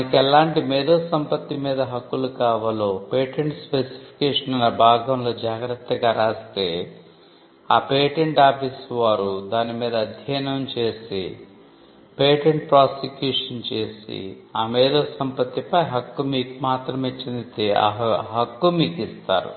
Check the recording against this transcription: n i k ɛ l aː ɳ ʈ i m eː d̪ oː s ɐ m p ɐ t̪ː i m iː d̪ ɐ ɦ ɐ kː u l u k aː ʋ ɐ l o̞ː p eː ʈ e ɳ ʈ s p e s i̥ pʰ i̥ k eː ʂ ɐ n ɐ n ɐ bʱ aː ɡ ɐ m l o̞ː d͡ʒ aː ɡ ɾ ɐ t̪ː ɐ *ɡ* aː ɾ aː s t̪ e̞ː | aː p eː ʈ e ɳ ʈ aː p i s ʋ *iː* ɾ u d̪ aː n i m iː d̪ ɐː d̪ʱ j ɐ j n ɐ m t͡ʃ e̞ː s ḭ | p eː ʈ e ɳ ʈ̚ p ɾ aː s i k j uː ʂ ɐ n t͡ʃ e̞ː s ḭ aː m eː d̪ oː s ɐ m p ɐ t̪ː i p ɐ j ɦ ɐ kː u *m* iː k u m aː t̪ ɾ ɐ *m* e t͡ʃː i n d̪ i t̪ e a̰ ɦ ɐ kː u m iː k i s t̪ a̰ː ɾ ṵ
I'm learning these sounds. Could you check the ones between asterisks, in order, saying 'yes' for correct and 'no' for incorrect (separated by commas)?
yes, no, yes, yes